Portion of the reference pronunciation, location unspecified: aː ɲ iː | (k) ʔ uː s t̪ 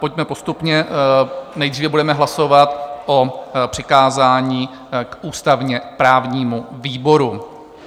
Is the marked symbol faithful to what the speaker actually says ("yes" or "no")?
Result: yes